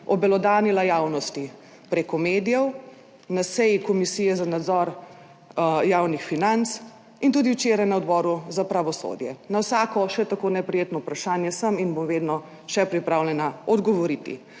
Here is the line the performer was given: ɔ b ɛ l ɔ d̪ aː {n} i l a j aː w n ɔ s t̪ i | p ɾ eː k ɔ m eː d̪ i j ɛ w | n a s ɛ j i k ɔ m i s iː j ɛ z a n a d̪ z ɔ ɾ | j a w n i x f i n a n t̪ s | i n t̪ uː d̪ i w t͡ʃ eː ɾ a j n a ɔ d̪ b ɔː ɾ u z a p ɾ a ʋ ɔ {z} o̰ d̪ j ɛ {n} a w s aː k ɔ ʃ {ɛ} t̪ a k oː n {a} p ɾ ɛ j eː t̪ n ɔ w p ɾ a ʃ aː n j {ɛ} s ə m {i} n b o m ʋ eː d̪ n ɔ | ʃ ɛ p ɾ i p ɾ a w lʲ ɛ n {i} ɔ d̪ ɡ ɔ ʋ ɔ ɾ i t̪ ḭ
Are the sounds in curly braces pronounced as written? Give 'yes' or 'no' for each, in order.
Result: yes, no, yes, yes, no, yes, yes, no

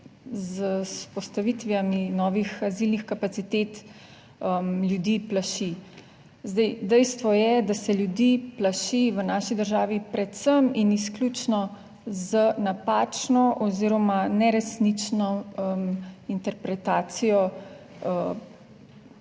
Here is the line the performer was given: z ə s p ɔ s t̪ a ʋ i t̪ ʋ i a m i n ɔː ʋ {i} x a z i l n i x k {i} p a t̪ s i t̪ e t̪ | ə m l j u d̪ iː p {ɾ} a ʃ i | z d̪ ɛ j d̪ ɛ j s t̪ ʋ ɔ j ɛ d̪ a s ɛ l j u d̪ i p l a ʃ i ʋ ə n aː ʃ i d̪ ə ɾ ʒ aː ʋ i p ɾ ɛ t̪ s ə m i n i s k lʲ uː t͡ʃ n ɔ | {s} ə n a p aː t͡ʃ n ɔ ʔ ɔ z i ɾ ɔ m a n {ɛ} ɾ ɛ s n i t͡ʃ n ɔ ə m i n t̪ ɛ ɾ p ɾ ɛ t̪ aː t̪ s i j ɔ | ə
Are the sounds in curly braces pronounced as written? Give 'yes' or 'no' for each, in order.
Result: yes, no, no, no, yes

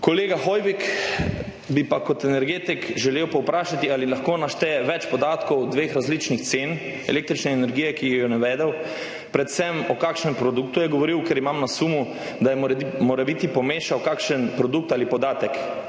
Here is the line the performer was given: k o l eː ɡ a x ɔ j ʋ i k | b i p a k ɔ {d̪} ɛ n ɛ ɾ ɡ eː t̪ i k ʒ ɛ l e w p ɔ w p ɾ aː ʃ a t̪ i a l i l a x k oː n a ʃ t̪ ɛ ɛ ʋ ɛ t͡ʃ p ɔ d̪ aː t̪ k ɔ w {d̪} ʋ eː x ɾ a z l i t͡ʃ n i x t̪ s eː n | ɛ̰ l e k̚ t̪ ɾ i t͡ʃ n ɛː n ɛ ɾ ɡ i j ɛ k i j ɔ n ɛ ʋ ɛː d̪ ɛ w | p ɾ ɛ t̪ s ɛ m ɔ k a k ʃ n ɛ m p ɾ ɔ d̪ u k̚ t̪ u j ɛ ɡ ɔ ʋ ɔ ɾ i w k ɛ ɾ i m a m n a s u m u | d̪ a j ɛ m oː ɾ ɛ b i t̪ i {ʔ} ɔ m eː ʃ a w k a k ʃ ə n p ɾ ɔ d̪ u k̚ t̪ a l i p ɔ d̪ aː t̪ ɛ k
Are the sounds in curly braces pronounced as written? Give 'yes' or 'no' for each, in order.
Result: no, yes, no

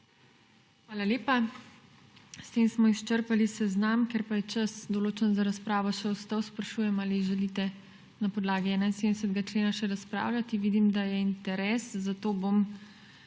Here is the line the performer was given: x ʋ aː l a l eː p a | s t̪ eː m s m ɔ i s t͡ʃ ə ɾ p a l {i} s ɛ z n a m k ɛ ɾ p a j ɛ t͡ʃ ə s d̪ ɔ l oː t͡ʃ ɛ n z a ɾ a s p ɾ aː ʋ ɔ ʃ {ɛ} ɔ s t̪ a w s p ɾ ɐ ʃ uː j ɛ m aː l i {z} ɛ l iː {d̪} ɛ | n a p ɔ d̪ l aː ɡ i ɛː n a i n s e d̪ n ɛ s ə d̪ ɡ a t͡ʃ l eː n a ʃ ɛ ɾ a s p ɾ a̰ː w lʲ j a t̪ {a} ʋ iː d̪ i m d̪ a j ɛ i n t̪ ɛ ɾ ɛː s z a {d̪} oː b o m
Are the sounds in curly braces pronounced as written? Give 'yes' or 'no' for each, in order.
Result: yes, yes, no, no, no, no

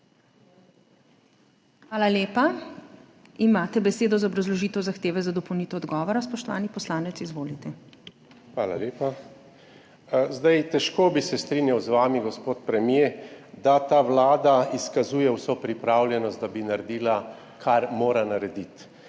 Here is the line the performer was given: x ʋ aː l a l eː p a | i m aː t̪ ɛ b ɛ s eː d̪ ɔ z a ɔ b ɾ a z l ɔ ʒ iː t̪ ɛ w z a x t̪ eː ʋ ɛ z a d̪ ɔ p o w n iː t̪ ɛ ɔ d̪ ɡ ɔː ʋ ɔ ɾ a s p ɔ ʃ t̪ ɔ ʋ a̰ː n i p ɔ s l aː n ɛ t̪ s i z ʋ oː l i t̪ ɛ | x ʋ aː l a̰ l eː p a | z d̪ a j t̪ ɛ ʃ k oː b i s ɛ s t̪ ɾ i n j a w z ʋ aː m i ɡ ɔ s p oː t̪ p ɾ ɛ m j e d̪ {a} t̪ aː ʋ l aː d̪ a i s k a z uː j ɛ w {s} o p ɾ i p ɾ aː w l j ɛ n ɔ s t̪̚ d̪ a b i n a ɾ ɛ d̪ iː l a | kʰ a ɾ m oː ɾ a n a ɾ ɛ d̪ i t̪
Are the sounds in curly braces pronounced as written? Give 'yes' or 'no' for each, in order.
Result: yes, yes

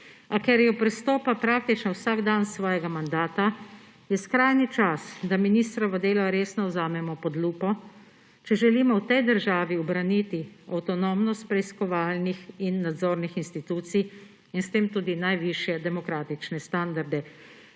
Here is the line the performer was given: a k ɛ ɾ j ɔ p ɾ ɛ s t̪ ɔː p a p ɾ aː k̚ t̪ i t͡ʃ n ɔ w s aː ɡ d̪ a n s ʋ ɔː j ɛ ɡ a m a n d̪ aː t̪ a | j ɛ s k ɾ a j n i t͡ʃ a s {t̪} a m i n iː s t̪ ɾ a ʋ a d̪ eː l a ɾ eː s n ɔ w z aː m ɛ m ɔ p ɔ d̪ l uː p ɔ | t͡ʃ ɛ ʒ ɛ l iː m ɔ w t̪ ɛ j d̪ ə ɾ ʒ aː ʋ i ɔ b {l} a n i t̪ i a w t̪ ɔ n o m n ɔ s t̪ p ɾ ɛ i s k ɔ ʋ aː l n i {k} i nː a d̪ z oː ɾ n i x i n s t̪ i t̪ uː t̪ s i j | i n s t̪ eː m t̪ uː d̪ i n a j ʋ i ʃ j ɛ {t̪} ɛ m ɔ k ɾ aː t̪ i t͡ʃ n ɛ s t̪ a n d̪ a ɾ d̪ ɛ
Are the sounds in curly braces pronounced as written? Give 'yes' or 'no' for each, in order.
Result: no, no, no, no

